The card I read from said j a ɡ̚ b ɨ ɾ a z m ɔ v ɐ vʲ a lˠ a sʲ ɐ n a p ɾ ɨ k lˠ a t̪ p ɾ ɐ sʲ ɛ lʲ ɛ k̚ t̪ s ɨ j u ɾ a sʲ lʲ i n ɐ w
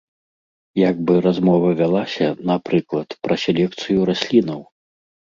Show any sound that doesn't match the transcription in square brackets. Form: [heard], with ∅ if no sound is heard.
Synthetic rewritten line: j a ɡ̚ b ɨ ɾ a z m ɔ v ɐ vʲ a lˠ a sʲ ɐ n a p ɾ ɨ k lˠ [ɐ] t̪ p ɾ ɐ sʲ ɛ lʲ ɛ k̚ t̪ s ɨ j u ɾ a sʲ lʲ i n ɐ w